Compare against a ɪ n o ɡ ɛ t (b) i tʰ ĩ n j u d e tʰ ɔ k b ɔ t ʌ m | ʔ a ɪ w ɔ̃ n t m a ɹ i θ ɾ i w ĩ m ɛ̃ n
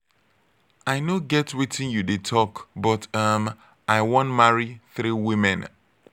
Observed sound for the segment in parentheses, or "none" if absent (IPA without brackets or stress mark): w